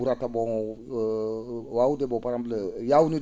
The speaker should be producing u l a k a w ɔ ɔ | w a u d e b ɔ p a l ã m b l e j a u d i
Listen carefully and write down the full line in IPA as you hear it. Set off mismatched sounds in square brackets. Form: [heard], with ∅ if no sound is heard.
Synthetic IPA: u [ɾ] a [t] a [b] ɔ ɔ | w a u d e b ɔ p a [ɾ] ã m b l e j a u [n] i